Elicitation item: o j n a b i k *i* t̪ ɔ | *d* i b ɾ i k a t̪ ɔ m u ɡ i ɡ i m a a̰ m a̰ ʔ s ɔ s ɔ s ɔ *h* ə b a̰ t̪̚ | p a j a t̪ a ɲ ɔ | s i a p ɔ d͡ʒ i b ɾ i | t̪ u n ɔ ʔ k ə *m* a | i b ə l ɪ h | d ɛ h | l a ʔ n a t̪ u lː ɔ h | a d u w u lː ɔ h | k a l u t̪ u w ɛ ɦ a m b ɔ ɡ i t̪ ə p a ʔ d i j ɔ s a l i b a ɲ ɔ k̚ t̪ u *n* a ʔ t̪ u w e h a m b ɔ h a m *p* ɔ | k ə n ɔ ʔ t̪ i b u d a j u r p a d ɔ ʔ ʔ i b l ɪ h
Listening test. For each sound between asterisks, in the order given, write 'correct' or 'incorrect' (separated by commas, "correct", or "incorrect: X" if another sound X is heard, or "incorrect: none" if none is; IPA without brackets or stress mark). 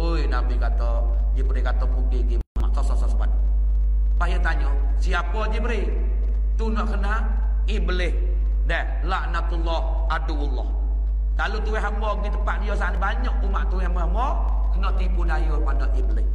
incorrect: a, incorrect: d͡ʒ, incorrect: s, incorrect: n, incorrect: m, incorrect: b